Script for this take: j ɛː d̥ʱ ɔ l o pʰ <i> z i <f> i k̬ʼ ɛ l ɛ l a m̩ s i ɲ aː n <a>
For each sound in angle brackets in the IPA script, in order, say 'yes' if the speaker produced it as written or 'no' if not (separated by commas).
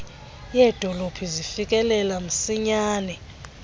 yes, yes, no